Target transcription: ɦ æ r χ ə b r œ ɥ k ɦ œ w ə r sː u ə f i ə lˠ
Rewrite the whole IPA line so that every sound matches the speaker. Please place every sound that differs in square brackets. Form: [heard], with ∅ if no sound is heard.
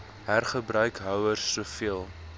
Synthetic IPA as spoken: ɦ æ r χ ə b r œ ɥ k ɦ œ w ə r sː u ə f i ə lˠ